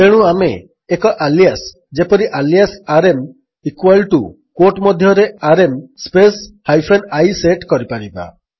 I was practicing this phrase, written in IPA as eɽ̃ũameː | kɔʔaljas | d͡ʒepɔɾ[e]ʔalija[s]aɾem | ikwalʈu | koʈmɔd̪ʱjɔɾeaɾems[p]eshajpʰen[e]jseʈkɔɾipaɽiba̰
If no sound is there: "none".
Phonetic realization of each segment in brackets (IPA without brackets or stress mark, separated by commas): i, s, p, a